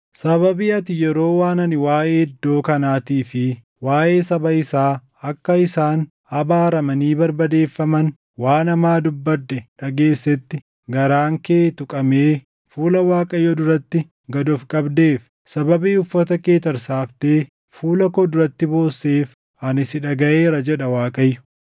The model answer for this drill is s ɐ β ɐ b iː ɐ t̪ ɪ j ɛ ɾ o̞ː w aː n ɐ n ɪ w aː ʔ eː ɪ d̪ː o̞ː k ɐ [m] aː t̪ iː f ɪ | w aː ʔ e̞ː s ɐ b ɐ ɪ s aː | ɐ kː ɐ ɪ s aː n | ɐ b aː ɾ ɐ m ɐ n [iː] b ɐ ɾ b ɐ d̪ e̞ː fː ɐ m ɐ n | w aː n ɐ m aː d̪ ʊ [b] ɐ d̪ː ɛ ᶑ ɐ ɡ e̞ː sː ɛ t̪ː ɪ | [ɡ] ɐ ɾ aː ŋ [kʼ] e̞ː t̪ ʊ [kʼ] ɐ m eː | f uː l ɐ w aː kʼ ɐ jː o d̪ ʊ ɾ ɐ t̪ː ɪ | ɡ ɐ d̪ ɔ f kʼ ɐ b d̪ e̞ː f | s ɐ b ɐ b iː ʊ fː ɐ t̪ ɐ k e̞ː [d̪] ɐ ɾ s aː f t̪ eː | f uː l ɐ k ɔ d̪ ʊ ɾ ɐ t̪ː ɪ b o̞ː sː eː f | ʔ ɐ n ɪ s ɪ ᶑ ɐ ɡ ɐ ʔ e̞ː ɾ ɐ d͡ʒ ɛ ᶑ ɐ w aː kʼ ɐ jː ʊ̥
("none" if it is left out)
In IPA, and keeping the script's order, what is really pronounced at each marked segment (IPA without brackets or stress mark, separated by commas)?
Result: n, iː, bː, ɡ, k, kʼ, t̪